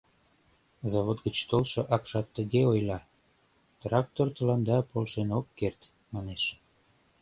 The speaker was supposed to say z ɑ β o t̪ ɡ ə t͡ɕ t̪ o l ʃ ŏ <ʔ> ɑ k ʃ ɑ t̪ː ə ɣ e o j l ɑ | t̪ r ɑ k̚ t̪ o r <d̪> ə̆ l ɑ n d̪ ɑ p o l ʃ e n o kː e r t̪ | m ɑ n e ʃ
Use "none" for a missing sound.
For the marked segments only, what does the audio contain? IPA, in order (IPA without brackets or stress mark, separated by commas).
ʔ, t̪